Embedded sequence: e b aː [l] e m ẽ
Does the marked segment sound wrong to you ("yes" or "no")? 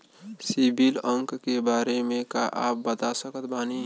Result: yes